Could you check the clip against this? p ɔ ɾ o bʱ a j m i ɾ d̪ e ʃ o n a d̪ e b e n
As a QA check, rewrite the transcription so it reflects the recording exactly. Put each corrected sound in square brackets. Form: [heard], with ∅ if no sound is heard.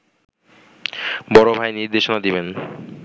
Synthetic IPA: [b] ɔ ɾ o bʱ a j [n] i ɾ d̪ e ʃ o n a d̪ [i] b e n